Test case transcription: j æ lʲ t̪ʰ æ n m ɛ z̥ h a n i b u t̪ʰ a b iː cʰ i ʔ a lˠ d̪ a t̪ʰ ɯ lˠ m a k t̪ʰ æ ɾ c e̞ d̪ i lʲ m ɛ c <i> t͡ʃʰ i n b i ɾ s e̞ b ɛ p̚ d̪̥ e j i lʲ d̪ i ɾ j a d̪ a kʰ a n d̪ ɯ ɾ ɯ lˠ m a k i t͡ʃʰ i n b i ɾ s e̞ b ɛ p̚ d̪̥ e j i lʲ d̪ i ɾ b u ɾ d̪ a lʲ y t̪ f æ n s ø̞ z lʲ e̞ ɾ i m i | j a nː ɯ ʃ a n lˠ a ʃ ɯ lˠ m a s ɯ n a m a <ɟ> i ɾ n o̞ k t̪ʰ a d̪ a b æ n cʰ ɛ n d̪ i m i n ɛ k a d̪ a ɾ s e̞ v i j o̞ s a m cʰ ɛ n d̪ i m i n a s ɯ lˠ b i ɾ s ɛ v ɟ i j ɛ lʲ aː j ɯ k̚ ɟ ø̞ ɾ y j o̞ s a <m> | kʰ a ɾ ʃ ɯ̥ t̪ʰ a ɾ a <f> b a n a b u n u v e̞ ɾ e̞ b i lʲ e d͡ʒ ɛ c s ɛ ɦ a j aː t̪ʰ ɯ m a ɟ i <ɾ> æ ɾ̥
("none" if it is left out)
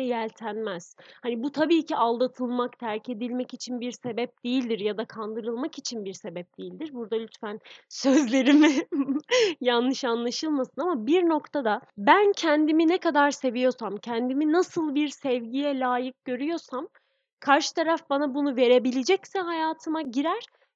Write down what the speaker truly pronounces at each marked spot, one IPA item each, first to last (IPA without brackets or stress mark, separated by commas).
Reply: i, b, m, f, ɾ